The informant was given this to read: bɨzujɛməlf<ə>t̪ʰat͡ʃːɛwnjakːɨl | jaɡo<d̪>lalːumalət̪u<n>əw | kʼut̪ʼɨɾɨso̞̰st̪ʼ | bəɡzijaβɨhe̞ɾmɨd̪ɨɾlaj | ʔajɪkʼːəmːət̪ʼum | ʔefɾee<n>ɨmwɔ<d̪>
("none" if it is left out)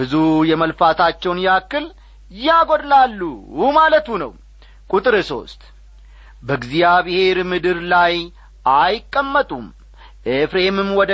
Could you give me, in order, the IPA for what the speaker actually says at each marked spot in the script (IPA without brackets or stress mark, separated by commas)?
a, d̪, n, m, d̪